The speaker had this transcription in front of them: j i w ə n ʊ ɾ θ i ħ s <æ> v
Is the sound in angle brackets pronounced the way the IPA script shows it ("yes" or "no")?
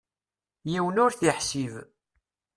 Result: no